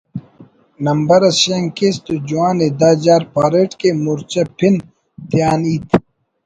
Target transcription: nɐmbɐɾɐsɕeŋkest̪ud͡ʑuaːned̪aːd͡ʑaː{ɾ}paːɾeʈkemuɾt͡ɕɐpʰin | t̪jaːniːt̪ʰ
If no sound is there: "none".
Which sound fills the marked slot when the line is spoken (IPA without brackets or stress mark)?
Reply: ɾ